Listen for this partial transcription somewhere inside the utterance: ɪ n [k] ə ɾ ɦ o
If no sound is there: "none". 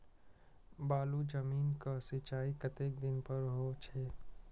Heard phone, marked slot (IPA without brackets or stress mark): p